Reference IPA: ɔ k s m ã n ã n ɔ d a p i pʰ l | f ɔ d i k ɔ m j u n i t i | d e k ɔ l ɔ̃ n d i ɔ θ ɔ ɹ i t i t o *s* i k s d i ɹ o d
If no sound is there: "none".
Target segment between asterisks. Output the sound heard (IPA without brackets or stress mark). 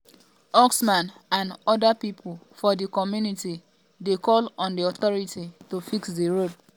f